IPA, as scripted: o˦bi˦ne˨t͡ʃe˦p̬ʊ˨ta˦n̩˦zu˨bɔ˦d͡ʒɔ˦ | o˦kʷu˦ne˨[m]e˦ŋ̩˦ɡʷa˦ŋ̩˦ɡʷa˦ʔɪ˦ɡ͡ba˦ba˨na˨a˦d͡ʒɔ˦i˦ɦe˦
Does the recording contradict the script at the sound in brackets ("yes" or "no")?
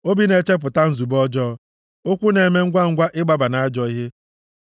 no